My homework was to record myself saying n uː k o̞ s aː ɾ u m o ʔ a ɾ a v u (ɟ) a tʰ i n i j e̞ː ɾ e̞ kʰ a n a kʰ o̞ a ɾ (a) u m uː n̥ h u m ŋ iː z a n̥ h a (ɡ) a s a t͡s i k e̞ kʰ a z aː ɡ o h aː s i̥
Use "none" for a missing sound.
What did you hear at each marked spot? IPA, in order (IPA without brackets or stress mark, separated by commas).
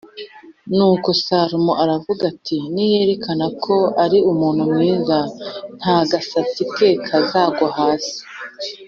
ɡ, i, ɡ